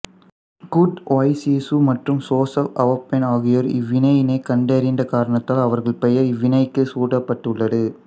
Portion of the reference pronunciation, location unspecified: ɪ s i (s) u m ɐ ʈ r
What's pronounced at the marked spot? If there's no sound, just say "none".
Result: s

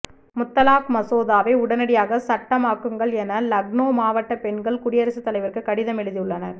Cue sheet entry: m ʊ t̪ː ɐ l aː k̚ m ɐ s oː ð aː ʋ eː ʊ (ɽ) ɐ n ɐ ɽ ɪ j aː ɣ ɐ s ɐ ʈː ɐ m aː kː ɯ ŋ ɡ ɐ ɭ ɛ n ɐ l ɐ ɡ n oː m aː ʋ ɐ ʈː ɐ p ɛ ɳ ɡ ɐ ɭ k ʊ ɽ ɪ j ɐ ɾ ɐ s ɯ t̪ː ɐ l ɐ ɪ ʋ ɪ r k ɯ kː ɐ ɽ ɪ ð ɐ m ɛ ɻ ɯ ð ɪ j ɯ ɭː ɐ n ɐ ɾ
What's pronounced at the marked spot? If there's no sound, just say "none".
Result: ɽ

